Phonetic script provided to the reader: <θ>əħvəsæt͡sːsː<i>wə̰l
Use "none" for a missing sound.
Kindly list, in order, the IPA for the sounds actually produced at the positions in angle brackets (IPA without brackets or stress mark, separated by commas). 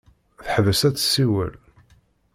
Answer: θ, i